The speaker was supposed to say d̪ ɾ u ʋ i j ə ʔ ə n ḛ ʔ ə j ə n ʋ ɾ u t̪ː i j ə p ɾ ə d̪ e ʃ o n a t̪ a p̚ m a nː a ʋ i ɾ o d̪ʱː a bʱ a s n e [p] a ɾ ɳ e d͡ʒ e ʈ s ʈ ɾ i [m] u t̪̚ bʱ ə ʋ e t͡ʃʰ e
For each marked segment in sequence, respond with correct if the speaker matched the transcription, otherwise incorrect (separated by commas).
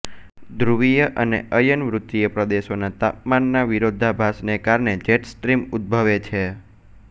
incorrect, correct